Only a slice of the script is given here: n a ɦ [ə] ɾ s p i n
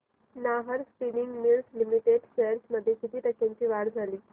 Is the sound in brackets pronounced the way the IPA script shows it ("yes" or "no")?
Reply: yes